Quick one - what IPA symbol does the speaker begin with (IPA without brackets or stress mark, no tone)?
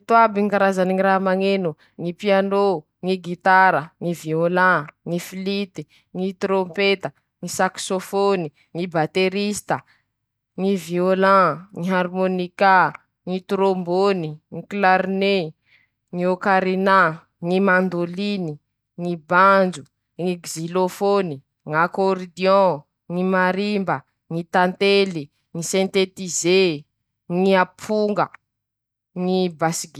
t̪